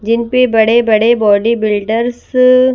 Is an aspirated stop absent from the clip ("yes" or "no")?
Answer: yes